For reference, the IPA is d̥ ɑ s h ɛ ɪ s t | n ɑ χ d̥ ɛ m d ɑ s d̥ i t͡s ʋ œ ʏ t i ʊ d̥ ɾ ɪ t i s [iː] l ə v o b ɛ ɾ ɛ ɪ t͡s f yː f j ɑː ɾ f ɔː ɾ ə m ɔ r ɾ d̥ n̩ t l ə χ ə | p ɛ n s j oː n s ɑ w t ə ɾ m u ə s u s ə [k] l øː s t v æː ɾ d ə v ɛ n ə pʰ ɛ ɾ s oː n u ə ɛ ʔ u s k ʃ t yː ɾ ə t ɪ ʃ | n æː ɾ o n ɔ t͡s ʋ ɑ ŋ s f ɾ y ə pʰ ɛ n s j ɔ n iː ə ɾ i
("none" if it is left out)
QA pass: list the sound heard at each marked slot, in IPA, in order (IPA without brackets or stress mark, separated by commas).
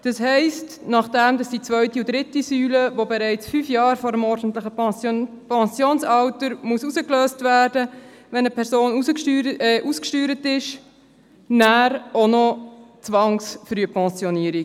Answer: yː, k